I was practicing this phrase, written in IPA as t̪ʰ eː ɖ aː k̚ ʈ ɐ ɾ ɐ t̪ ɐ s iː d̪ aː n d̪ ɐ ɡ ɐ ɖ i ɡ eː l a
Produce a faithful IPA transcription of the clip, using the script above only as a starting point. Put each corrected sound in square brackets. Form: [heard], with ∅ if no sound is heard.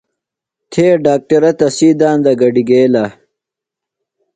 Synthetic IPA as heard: t̪ʰ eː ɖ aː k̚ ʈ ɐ ɾ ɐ t̪ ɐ s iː d̪ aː n d̪ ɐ ɡ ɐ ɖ i ɡ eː l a